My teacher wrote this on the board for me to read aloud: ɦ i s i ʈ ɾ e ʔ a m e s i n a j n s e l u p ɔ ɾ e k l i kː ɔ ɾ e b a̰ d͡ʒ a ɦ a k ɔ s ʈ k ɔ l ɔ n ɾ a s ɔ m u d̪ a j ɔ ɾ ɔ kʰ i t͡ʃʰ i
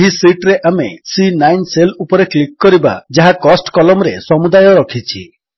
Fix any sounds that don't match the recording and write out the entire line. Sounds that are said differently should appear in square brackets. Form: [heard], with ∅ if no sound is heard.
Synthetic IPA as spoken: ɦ i s i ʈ ɾ e ʔ a m e s i n a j n s e l u p ɔ ɾ e k l i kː ɔ ɾ [i] b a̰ d͡ʒ a ɦ a k ɔ s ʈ k ɔ l ɔ [m] ɾ [e] s ɔ m u d̪ a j ɔ ɾ ɔ kʰ i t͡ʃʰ i